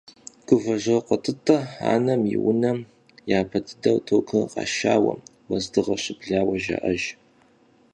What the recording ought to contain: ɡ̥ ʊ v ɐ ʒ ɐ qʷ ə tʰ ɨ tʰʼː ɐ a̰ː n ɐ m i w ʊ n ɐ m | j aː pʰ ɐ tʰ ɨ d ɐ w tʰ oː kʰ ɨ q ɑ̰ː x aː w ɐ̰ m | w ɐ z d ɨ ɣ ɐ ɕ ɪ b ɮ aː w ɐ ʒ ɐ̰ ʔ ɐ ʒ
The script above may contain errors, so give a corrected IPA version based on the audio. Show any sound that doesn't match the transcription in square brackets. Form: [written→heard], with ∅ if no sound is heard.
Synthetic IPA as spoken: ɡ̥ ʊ v ɐ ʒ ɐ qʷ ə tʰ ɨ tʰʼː ɐ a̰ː n ɐ m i w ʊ n ɐ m | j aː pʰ ɐ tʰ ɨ d ɐ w tʰ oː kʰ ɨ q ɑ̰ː [x→ʃ] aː w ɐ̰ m | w ɐ z d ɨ [ɣ→ʁ] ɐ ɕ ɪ b ɮ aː w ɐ ʒ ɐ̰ ʔ ɐ ʒ